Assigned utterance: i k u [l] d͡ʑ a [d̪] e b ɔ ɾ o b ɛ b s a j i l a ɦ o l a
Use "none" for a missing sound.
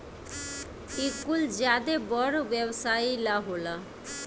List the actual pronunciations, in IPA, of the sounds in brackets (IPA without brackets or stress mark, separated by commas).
l, d̪